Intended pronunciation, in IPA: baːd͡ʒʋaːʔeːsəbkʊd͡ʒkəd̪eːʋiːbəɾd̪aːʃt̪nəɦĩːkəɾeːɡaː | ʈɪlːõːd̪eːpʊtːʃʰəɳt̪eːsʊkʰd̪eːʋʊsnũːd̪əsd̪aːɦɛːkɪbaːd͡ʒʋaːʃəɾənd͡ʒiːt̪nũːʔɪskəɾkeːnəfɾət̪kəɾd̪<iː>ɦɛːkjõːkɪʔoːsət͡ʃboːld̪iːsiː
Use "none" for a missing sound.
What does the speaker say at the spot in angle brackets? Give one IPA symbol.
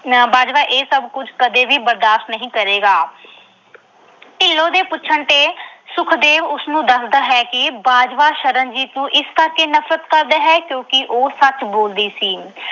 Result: aː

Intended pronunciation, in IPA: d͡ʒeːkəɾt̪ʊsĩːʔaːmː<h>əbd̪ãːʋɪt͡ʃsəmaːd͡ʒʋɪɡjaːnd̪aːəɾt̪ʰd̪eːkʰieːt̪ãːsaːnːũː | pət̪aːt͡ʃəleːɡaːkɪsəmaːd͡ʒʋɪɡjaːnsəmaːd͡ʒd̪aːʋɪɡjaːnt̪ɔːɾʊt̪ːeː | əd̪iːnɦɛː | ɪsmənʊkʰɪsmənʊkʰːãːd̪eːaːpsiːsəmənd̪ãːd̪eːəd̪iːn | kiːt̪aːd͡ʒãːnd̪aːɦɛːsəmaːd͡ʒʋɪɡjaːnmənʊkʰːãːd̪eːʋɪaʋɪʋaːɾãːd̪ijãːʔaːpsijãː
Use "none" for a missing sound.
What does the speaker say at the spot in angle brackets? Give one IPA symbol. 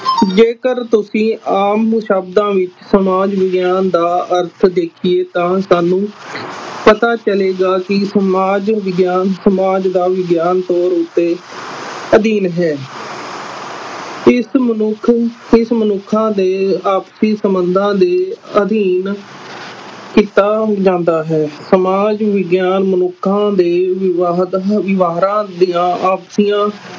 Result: ʃ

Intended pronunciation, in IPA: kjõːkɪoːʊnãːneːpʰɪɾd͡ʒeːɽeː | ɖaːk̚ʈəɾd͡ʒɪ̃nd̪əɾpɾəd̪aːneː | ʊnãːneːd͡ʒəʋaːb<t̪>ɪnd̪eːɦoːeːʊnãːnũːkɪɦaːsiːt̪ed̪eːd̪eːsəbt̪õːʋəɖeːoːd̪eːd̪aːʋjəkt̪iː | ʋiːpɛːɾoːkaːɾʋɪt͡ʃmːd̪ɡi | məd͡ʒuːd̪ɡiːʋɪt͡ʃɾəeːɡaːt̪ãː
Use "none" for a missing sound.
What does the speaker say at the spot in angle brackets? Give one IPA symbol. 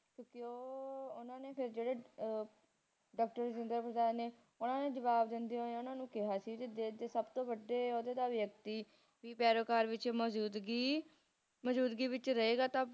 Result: d̪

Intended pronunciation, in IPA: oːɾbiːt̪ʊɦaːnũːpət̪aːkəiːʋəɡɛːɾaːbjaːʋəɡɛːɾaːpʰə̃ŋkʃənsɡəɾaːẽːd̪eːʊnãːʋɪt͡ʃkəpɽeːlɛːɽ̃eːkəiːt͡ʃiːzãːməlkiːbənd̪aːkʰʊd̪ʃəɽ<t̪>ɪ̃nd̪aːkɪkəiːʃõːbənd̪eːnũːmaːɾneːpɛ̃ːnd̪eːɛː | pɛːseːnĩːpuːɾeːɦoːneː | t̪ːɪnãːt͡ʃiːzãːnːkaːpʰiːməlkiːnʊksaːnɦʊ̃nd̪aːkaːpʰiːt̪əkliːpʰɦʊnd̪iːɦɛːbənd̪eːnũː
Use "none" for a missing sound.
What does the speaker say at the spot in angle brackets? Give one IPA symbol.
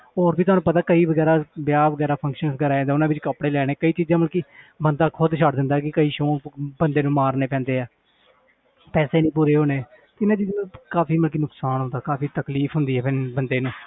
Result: d̪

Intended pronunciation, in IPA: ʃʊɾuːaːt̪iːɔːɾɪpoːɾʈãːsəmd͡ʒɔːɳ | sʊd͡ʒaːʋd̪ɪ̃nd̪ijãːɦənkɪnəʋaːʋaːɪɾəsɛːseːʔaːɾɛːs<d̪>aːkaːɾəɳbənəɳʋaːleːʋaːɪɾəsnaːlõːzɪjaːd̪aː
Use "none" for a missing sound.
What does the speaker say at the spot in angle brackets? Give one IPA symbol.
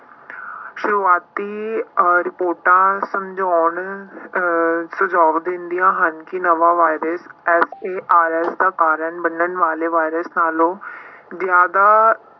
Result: d̪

